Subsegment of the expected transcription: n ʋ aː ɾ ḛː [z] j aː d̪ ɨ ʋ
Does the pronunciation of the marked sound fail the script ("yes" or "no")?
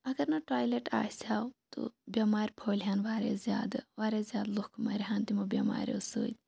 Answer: no